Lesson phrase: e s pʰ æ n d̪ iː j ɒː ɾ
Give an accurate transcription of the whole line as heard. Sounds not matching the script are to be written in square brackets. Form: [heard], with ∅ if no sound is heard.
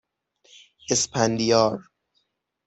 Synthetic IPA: e s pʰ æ n d̪ [i] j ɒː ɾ